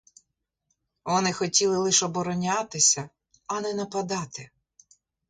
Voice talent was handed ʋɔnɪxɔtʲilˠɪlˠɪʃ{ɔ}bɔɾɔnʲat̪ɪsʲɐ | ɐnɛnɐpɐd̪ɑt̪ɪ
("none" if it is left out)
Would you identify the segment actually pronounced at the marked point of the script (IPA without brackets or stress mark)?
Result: ɔ